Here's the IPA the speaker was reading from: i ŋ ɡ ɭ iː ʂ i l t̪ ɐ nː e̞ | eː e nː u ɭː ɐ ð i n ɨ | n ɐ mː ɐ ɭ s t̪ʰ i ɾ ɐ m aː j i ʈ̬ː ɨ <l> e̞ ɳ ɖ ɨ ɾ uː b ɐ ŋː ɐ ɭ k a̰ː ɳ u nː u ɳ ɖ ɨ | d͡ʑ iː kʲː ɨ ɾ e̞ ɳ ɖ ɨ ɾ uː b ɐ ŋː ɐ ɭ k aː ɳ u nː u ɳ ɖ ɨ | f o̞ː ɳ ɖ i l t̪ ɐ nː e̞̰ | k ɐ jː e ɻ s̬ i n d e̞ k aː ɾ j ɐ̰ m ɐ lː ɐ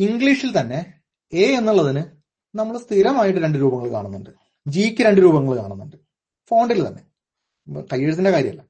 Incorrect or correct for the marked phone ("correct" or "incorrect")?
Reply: incorrect